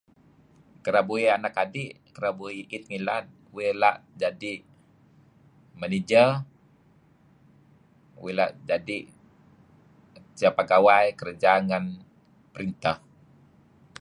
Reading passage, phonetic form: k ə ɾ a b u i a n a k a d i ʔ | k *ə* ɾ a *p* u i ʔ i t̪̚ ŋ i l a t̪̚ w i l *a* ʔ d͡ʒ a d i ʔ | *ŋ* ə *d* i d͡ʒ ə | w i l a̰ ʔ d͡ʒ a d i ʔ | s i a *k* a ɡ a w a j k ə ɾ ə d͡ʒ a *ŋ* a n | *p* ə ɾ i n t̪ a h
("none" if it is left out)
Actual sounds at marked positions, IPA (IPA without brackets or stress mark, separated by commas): ə, b, a, m, n, p, ŋ, p